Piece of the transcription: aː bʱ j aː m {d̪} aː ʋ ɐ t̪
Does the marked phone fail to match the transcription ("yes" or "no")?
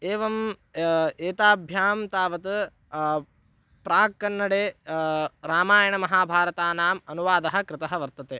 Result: yes